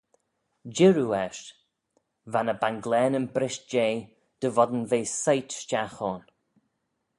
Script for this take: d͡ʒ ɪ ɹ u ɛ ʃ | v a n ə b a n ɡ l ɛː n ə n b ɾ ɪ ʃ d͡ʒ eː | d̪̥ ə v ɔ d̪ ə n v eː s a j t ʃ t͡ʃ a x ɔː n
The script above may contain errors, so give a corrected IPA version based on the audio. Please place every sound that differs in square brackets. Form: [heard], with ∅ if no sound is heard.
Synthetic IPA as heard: d͡ʒ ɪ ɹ u ɛ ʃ | v a n ə b a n ɡ l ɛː n ə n b ɾ ɪ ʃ d͡ʒ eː | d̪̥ ə v ɔ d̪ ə n v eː s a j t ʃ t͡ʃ a x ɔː n